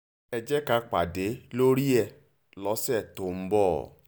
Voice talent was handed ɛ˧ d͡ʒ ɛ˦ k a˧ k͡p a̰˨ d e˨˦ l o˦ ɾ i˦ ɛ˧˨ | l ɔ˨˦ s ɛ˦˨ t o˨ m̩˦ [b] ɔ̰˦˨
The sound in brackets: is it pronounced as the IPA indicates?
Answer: yes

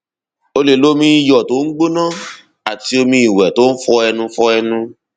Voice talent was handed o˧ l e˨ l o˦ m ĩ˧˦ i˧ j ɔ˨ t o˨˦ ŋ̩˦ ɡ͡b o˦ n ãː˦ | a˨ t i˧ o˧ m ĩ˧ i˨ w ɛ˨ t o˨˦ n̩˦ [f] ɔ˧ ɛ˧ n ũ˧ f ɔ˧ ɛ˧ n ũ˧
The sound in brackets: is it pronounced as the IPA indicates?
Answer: yes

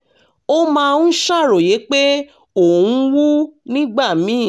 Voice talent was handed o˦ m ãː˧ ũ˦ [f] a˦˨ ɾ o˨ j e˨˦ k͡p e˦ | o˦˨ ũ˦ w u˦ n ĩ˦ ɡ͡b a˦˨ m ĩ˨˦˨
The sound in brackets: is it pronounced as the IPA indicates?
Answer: no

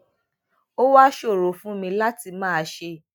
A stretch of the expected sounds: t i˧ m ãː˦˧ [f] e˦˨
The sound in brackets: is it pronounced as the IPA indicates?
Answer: no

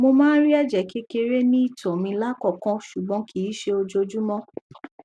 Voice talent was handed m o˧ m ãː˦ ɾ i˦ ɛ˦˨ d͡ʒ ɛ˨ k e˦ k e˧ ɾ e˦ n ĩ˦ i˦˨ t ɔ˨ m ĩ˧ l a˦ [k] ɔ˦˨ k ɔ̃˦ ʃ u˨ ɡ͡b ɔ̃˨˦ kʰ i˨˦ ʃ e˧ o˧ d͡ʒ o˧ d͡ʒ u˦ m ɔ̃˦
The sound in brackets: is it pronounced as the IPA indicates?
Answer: yes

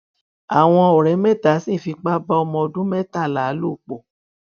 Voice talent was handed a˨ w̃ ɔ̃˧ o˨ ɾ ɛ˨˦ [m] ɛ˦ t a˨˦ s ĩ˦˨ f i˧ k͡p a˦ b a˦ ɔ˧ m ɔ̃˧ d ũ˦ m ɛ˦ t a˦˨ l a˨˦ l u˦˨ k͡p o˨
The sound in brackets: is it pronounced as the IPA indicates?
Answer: yes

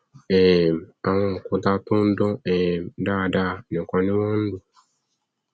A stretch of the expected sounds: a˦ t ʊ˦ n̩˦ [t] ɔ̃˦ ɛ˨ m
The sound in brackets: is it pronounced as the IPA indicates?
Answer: no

